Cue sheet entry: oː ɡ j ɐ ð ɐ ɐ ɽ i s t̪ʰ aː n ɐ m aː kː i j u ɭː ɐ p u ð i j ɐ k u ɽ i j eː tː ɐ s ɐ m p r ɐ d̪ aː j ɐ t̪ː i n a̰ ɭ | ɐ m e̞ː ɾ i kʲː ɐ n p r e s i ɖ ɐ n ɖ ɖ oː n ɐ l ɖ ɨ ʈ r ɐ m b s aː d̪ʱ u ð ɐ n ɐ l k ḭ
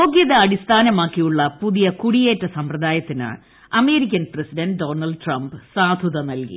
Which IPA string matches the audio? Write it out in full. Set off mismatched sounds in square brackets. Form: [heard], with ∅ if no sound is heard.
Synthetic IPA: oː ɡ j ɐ ð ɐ ɐ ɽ i s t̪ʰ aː n ɐ m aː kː i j u ɭː ɐ p u ð i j ɐ k u ɽ i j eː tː ɐ s ɐ m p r ɐ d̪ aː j ɐ t̪ː i n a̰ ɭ | ɐ m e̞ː ɾ i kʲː ɐ n p r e s i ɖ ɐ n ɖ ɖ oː n ɐ l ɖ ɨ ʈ r ɐ m b s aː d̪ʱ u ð ɐ n ɐ l k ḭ